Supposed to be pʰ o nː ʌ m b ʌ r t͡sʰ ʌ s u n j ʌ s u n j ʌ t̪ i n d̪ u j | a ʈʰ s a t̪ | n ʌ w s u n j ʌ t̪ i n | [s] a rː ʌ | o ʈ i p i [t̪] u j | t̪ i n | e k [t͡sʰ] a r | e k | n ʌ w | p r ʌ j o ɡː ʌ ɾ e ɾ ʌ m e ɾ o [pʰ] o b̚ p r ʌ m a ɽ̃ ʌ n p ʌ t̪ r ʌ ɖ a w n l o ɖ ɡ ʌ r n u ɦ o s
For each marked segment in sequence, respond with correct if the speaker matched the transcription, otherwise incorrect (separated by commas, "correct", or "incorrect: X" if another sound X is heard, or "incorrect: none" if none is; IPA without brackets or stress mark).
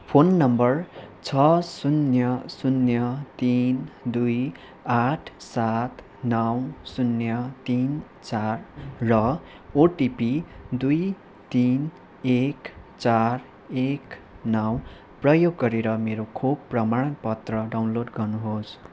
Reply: incorrect: t͡s, incorrect: d̪, incorrect: t͡s, incorrect: kʰ